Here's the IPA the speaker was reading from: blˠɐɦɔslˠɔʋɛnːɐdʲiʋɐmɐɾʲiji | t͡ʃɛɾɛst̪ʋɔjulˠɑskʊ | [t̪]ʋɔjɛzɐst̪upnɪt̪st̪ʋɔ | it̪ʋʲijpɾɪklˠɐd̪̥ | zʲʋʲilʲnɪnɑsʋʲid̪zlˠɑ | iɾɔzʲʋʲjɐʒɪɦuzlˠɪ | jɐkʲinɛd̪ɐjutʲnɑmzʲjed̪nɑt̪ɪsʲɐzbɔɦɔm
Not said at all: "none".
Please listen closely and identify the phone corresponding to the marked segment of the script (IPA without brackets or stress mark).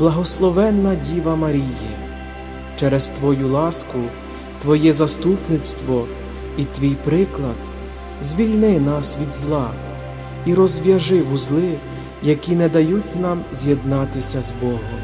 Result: t̪